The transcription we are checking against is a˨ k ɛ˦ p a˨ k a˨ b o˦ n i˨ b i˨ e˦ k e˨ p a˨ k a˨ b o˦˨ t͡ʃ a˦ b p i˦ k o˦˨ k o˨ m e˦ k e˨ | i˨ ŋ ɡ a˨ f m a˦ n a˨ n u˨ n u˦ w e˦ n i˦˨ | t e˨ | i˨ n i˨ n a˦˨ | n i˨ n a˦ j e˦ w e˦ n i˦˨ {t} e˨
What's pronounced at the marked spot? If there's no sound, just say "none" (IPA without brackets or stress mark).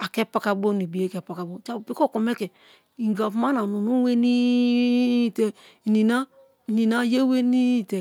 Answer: t